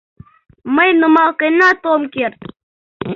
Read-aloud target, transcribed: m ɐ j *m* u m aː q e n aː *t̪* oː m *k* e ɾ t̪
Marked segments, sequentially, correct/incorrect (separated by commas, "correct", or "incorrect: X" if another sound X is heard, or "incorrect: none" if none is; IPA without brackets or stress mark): incorrect: n, correct, correct